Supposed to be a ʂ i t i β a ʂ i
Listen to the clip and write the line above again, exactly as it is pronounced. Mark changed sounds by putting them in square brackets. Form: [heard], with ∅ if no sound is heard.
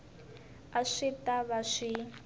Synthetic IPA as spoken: a ʂ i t [a] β a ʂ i

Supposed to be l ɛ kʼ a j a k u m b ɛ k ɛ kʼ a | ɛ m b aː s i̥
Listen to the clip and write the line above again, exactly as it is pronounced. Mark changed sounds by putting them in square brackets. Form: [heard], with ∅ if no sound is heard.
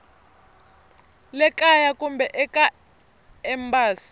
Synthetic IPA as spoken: l ɛ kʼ a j a k u m b ɛ [ʔ] ɛ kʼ a | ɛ m b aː s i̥

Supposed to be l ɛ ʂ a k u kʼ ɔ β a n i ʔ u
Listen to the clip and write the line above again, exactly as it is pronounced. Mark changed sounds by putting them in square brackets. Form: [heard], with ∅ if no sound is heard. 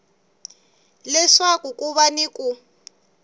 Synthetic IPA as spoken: l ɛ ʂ a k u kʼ [u] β a n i [k] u

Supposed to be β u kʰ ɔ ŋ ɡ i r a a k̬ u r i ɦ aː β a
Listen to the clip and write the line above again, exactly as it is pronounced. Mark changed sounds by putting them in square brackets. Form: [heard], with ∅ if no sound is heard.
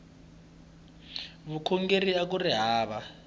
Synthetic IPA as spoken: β u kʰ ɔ ŋ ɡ [e] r [i] a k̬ u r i ɦ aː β a

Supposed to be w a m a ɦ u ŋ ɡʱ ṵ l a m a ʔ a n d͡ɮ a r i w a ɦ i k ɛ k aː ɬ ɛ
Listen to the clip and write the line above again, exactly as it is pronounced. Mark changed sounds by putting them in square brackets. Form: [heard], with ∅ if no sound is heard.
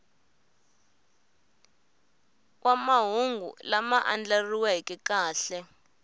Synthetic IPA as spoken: w a m a ɦ u ŋ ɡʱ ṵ l a m a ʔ a n d͡ɮ a r i w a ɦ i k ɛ k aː ɬ ɛ

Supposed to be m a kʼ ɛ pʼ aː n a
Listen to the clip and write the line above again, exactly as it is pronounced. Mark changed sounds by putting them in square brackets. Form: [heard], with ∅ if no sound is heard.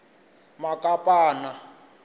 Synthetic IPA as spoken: m a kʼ [a] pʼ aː n a

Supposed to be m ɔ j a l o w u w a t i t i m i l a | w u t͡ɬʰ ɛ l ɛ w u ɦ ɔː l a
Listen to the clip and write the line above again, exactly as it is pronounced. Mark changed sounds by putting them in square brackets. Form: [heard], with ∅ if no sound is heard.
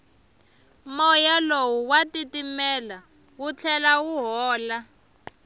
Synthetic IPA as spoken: m ɔ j a l o w u w a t i t i m [ɛ] l a | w u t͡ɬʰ ɛ l [a] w u ɦ ɔː l a

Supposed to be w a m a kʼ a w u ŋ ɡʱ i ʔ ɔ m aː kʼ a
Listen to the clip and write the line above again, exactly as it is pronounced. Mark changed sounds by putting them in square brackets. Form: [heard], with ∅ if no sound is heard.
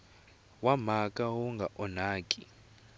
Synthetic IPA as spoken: w a m a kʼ a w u ŋ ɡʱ [a] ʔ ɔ [n] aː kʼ [i]

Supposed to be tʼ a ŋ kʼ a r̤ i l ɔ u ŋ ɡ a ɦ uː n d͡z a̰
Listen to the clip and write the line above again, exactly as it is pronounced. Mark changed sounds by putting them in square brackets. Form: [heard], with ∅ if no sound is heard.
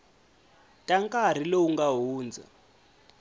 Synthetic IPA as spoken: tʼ a ŋ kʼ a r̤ i l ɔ u ŋ ɡ a ɦ uː n d͡z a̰

